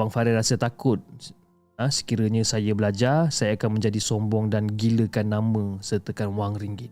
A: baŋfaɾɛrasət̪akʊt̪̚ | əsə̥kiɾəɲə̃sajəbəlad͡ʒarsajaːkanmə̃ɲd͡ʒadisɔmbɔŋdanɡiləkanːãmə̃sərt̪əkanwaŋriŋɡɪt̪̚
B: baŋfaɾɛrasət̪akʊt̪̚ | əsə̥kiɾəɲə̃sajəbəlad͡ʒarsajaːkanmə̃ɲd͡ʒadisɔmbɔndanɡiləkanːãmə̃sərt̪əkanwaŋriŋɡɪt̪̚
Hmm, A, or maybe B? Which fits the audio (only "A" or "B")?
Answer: A